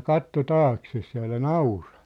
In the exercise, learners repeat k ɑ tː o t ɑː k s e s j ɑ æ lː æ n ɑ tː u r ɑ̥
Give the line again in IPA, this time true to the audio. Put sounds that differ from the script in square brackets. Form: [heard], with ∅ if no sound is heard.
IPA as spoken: k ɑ tː o t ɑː k s e s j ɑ æ [l] æ n ɑ [∅] u r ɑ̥